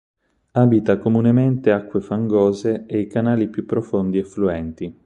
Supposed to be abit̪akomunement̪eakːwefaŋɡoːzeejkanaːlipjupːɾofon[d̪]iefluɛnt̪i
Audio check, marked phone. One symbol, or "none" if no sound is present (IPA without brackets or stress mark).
d̪